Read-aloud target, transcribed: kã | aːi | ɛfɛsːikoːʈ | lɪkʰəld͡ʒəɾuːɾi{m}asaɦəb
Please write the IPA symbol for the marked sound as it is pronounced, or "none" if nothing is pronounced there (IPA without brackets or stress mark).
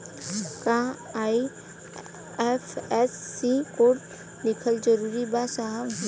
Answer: b